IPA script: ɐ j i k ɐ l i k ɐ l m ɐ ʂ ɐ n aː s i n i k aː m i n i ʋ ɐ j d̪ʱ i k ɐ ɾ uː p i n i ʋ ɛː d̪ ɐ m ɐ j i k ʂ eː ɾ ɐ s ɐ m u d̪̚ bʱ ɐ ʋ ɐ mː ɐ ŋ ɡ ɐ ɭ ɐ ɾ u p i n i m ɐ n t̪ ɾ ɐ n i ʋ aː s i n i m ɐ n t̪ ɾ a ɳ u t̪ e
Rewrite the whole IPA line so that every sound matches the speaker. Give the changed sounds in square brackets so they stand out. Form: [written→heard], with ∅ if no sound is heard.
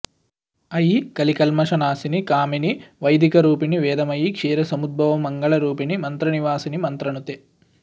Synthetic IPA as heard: ɐ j i k ɐ l i k ɐ l m ɐ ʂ ɐ n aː s i n i k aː m i n i ʋ ɐ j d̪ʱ i k ɐ ɾ uː p i n i ʋ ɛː d̪ ɐ m ɐ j i k ʂ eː ɾ ɐ s ɐ m u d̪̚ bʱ ɐ ʋ ɐ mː ɐ ŋ ɡ ɐ ɭ ɐ ɾ [u→uː] p i n i m ɐ n t̪ ɾ ɐ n i ʋ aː s i n i m ɐ n t̪ ɾ [a→ɐ] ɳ u t̪ e